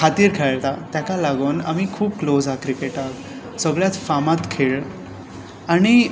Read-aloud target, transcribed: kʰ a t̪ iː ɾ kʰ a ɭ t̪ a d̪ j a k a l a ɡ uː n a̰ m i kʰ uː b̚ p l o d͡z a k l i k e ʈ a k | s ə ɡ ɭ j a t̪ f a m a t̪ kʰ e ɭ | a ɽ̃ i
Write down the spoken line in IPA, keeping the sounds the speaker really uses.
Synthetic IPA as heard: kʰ a t̪ iː ɾ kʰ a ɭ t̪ a t̪ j a k a l a ɡ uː n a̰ m i kʰ uː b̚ k l o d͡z a k ɾ i k e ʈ a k | s ə ɡ ɭ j a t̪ f a m a t̪ kʰ e ɭ | a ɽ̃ i

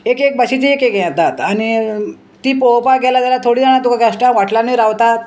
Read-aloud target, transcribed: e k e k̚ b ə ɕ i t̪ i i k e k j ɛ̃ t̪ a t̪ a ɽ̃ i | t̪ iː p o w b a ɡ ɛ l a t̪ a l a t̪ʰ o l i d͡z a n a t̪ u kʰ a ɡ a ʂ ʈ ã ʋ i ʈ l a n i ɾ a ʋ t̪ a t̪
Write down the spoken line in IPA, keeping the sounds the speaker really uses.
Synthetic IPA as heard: e k e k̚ b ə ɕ i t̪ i e k e k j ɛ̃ t̪ a t̪ a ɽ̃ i | t̪ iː p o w p a ɡ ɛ l a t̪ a l a t̪ʰ o ɽ i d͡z a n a t̪ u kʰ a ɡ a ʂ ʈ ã ʋ a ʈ l a n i ɾ a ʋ t̪ a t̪

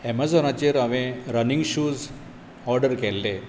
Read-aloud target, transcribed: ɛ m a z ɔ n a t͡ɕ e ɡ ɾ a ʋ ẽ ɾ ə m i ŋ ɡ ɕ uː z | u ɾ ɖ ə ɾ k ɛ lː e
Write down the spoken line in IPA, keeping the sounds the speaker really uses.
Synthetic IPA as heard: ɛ m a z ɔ n a t͡ɕ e ɾ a ʋ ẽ ɾ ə n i ŋ ɡ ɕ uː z | ɔ ɾ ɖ ə ɾ k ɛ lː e

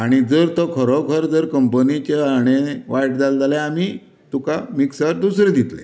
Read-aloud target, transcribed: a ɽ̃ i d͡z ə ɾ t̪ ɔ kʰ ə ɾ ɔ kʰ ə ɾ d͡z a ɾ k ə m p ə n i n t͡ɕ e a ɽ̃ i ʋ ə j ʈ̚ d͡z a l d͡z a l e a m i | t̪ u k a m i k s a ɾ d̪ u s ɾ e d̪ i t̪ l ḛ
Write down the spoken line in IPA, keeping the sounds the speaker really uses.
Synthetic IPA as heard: a ɽ̃ i d͡z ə ɾ t̪ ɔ kʰ ə ɾ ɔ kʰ ə ɾ d͡z ə ɾ k ə m p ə n i t͡ɕ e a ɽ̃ e ʋ a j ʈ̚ d͡z a l d͡z a l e a m i | t̪ u k a m i k s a ɾ d̪ u s ɾ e d̪ i t̪ l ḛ

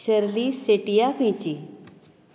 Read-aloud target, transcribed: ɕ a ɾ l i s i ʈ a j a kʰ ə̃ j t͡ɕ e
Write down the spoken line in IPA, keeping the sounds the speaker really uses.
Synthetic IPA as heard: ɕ ə ɾ l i s e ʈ i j a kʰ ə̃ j t͡ɕ i

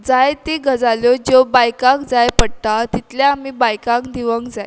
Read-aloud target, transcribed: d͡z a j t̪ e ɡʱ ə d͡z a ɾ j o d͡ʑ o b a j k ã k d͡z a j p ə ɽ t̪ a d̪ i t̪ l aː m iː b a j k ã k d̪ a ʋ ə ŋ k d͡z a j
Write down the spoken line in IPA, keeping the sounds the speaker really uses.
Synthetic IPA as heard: d͡z a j t̪ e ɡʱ ə d͡z a l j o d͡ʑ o b a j k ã k d͡z a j p ə ɽ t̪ a t̪ i t̪ l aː m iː b a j k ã k d̪ i ʋ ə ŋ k d͡z a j

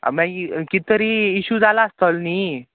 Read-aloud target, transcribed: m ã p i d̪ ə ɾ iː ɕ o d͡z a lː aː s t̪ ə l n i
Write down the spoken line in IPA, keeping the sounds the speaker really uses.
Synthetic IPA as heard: m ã k i t̪ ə ɾ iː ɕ u d͡z a l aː s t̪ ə l n i

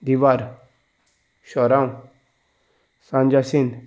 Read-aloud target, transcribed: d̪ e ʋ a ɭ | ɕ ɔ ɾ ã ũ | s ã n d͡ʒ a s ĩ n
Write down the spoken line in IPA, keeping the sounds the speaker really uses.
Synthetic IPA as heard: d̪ i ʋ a ɾ | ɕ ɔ ɾ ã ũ | s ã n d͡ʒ a s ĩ n

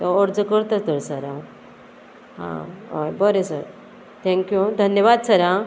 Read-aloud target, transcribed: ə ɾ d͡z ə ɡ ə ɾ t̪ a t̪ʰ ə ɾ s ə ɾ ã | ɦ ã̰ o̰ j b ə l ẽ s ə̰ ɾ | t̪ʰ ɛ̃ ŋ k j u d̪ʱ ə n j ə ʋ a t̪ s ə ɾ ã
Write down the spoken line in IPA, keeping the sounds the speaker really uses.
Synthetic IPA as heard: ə ɾ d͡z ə k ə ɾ t̪ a t̪ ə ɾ s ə ɾ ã | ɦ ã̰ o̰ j b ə ɾ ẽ s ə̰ ɾ | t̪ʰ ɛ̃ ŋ k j u d̪ʱ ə n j ə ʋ a d̪ s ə ɾ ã

